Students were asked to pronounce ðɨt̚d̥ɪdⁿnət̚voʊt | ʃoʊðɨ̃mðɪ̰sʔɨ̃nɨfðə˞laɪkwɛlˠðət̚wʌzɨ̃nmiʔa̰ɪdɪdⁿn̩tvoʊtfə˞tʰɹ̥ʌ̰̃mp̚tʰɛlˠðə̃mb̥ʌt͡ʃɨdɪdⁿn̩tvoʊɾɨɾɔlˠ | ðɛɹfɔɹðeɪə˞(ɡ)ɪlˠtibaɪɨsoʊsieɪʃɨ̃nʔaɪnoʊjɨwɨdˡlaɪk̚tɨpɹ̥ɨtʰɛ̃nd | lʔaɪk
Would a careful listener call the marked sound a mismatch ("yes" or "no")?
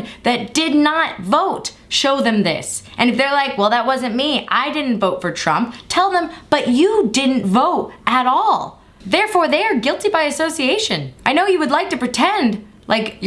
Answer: no